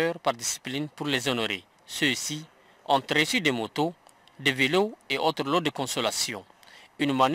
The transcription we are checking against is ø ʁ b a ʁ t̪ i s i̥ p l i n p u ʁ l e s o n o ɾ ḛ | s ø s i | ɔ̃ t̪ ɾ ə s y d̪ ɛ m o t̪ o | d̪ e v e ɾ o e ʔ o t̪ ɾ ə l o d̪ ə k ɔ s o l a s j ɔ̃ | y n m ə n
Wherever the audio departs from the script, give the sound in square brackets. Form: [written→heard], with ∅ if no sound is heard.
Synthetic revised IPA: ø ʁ [b→p] a ʁ [t̪→d̪] i s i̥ p l i n p u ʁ l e [s→z] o n o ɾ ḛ | s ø s i | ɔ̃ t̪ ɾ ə s y d̪ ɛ m o t̪ o | d̪ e v e [ɾ→l] o e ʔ o t̪ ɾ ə l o d̪ ə k [ɔ→ɔ̃] s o l a s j ɔ̃ | y n m [ə→a] n